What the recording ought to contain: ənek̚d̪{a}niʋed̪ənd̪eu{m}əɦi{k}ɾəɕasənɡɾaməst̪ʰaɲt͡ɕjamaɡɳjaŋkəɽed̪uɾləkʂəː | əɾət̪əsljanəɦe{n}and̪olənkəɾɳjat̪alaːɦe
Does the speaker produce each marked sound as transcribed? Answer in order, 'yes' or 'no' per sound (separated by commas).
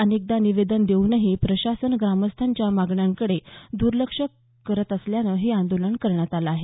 yes, no, no, no